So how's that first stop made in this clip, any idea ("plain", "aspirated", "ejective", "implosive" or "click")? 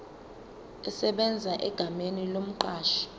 implosive